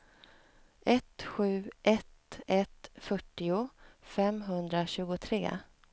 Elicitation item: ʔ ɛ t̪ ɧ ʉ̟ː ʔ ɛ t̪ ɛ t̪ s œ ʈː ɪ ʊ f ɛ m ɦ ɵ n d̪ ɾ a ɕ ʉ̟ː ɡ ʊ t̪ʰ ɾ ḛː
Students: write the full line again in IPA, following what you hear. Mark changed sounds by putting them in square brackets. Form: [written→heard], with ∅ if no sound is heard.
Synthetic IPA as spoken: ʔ ɛ t̪ ɧ ʉ̟ː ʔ ɛ t̪ ɛ t̪ [s→f] œ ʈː ɪ ʊ f ɛ m ɦ ɵ n d̪ ɾ a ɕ ʉ̟ː ɡ ʊ t̪ʰ ɾ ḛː